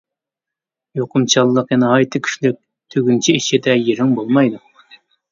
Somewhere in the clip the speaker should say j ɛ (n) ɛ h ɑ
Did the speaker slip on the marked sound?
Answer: no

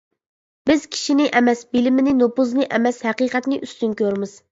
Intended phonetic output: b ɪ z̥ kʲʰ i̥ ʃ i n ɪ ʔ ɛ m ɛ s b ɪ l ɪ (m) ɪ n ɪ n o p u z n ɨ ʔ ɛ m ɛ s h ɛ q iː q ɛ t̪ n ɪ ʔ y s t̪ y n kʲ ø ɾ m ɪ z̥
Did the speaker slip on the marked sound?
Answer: no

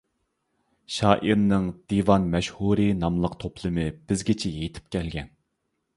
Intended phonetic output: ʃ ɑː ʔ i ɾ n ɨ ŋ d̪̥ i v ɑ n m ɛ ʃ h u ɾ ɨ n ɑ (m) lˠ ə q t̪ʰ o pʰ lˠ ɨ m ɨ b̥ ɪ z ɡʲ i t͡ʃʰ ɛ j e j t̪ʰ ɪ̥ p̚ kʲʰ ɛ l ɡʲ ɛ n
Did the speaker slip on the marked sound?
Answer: no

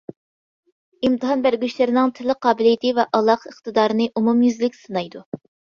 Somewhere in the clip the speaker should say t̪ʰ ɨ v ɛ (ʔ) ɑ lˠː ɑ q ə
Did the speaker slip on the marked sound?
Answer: no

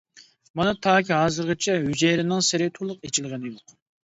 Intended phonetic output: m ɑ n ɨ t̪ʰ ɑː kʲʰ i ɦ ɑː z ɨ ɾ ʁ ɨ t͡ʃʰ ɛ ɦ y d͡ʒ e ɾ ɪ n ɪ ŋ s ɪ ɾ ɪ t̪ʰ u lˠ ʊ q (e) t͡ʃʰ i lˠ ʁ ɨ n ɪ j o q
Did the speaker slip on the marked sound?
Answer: no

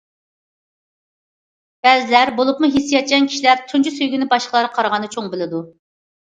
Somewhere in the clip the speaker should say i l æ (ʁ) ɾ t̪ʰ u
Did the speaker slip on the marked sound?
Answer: yes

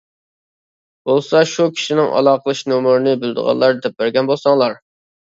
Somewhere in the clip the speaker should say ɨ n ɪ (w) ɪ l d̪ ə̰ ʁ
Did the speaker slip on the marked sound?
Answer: yes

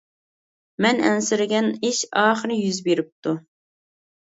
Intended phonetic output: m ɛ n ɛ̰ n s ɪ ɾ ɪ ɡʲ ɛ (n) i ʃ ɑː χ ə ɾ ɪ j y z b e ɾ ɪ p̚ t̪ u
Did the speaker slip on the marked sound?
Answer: no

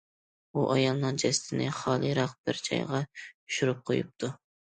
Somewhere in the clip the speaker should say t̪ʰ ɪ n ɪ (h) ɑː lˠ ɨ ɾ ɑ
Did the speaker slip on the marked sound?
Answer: yes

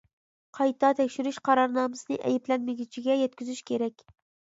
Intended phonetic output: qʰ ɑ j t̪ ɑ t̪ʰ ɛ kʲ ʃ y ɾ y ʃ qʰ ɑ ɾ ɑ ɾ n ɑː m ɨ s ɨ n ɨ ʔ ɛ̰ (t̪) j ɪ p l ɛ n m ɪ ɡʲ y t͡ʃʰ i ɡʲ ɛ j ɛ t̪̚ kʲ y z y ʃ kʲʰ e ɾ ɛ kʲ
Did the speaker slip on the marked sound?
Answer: yes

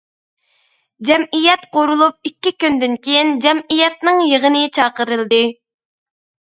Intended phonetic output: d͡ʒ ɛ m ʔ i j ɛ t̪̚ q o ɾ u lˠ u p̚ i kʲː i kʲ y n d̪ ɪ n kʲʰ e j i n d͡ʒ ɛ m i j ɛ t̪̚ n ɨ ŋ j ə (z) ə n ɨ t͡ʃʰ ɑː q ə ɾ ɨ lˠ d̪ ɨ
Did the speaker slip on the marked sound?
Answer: yes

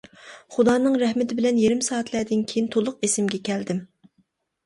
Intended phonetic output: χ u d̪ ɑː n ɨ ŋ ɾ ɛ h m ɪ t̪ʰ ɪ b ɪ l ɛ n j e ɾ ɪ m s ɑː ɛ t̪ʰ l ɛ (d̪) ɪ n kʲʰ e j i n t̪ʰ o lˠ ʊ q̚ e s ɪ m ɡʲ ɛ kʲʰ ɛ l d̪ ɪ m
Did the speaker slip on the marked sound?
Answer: no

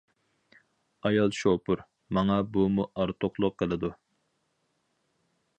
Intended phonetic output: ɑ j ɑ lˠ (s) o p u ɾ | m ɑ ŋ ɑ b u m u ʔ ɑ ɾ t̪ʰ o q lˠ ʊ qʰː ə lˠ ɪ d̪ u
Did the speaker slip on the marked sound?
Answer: yes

